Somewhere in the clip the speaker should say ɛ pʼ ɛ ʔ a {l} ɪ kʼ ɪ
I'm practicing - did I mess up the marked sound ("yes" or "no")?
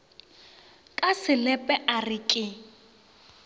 yes